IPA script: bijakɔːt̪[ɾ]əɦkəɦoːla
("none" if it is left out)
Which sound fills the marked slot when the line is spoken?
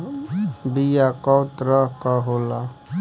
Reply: ɾ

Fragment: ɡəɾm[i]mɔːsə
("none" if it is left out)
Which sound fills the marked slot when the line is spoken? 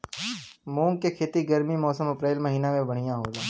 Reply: i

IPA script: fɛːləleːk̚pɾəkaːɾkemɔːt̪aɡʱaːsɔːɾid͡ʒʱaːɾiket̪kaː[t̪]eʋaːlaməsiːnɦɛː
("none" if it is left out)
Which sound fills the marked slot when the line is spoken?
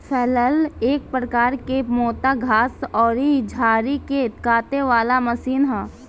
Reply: t̪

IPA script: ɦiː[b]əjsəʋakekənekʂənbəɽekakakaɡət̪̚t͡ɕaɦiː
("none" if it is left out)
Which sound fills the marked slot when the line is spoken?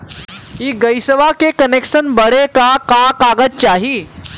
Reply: ɡ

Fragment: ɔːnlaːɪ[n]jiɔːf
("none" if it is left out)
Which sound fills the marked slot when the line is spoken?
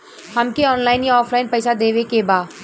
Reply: n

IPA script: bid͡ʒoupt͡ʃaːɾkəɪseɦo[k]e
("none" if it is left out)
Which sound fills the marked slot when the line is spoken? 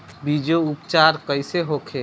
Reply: kʰ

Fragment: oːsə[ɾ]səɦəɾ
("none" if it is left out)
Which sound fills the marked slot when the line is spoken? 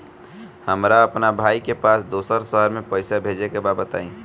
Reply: ɾ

